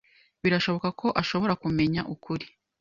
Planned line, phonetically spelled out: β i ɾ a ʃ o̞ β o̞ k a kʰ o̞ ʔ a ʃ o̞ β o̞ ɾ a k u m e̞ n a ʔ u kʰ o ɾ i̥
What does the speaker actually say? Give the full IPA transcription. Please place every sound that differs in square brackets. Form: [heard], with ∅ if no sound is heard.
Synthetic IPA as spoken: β i ɾ a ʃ o̞ β o̞ k a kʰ o̞ ʔ a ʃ o̞ β o̞ ɾ a k u m e̞ [ɲ] a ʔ u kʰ [u] ɾ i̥